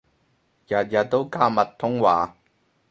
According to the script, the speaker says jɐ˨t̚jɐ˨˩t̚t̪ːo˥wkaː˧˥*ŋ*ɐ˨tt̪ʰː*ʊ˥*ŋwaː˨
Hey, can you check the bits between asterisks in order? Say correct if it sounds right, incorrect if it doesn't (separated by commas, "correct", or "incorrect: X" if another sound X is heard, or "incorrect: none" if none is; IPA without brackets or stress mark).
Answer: incorrect: m, correct